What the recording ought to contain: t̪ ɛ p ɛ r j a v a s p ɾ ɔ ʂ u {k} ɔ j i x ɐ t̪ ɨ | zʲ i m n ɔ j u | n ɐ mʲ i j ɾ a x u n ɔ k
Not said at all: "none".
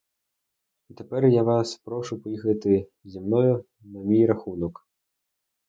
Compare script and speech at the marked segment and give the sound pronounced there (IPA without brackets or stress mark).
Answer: p